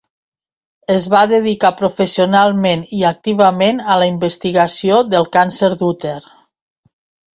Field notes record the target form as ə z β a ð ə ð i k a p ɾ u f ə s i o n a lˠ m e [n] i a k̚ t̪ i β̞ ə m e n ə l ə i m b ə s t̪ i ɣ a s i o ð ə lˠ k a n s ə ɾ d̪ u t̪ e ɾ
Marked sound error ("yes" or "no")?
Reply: no